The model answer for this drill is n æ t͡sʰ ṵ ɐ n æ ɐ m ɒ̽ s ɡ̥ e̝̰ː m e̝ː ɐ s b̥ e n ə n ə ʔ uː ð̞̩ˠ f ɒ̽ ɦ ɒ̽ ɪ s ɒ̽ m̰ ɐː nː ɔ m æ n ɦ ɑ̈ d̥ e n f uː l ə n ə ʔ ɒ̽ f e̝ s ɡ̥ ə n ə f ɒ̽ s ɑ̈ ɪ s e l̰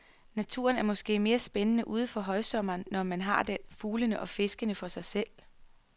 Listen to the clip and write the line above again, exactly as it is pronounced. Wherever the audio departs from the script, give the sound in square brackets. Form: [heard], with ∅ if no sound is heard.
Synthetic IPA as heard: n æ t͡sʰ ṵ ɐ n æ ɐ m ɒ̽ s ɡ̥ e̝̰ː m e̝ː ɐ s b̥ e n ə n ə ʔ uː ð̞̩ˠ f ɒ̽ ɦ ɒ̽ ɪ s ɒ̽ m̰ ɐː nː [ɒ] m æ n ɦ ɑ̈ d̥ e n f uː l ə n ə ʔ ɒ̽ f e̝ s ɡ̥ ə n ə f ɒ̽ s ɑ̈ ɪ s e l̰